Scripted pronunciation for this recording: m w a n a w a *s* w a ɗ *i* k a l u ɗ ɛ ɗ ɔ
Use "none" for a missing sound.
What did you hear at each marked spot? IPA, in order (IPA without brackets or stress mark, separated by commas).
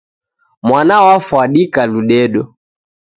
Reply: f, i